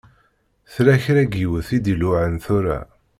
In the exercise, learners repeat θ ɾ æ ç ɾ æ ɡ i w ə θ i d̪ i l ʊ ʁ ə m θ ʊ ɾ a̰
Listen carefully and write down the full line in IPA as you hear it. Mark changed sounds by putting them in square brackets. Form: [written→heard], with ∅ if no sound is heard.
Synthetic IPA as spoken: θ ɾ æ ç ɾ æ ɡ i w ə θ i d̪ i l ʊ [ʁ→ʕ] ə [m→n] θ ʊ ɾ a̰